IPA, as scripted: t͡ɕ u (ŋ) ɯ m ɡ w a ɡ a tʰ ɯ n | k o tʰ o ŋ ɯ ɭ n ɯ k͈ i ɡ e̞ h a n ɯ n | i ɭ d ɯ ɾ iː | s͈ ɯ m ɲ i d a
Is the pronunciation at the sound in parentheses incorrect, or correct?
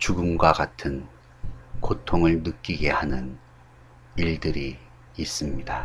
incorrect